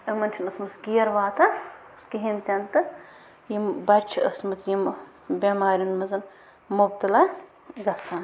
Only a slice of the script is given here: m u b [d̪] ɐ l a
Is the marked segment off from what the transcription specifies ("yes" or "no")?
yes